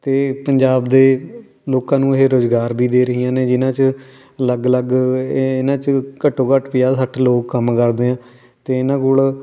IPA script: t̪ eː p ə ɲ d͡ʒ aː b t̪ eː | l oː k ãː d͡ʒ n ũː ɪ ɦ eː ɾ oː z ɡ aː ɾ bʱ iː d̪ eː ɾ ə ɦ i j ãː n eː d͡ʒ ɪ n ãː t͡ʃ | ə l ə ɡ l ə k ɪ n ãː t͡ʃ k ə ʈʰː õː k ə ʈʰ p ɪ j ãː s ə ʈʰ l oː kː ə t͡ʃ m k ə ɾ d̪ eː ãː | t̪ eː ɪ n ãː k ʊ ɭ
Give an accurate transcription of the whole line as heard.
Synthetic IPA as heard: t̪ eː p ə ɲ d͡ʒ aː b d̪ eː | l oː k ãː n ũː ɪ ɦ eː ɾ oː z ɡ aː ɾ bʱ iː d̪ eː ɾ ə ɦ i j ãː n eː d͡ʒ ɪ n ãː t͡ʃ | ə l ə ɡ l ə ɡ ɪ n ãː t͡ʃ k ə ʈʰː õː k ə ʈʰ p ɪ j aː s ə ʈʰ l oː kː ə m k ə ɾ d̪ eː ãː | t̪ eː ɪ n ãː k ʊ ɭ

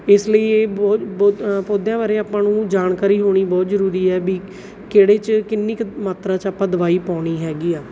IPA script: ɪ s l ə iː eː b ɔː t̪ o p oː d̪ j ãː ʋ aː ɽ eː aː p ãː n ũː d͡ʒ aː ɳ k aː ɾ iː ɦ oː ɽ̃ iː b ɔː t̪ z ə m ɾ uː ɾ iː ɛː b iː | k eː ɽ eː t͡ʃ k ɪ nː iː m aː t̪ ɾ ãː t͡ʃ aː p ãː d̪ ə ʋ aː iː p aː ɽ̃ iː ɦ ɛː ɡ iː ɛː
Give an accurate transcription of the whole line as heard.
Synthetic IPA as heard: ɪ s l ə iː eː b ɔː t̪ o p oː d̪ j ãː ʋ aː ɾ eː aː p ãː n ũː d͡ʒ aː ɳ k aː ɾ iː ɦ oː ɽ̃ iː b ɔː t̪ z ə ɾ uː ɾ iː ɛː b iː | k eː ɽ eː t͡ʃ k ɪ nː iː m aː t̪ ɾ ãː t͡ʃ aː p ãː d̪ ə ʋ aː iː p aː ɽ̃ iː ɦ ɛː ɡ iː aː

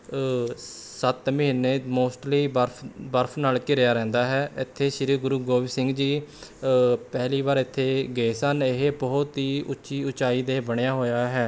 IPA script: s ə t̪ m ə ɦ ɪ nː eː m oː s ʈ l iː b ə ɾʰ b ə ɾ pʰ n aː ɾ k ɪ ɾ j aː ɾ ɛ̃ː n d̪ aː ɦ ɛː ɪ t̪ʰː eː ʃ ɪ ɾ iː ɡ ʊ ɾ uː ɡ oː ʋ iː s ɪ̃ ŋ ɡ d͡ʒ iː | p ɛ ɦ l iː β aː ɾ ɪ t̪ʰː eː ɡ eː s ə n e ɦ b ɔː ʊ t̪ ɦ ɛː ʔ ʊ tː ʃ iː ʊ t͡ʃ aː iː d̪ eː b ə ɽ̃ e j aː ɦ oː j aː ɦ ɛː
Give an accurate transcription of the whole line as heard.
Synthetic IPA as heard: s ə t̪ m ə ɦ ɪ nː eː m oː s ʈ l iː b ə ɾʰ b ə ɾ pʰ n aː l k ɪ ɾ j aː ɾ ɛ̃ː n d̪ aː ɦ ɛː ɪ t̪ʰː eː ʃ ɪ ɾ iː ɡ ʊ ɾ uː ɡ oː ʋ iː s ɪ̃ ŋ ɡ d͡ʒ iː | p ɛ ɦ l iː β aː ɾ ɪ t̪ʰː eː ɡ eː s ə n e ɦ b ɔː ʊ t̪ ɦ iː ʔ ʊ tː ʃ iː ʊ t͡ʃ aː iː d̪ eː b ə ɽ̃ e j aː ɦ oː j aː ɦ ɛː

